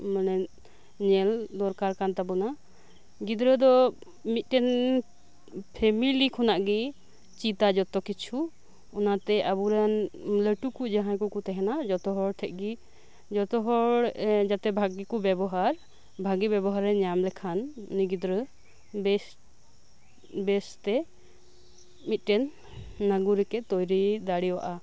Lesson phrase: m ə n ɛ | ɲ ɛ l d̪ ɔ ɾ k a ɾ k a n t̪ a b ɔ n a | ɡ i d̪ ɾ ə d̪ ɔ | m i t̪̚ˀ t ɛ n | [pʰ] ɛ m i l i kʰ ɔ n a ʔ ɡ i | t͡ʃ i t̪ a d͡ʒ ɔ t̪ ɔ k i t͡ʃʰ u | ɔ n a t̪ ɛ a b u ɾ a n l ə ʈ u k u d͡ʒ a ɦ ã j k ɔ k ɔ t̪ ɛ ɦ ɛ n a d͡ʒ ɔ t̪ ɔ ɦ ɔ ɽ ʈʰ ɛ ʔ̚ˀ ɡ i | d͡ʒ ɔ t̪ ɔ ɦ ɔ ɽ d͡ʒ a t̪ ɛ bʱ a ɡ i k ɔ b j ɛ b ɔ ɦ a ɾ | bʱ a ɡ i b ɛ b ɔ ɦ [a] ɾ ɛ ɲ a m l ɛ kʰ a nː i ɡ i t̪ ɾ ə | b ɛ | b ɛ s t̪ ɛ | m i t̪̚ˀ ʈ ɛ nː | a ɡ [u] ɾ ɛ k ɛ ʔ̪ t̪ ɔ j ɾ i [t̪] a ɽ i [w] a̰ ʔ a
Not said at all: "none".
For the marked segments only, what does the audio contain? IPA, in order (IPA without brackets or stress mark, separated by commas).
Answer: pʰ, a, u, d̪, w